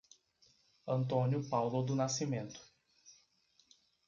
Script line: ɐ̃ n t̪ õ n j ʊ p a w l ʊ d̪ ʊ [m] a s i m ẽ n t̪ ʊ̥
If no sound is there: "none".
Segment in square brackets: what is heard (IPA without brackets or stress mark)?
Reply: n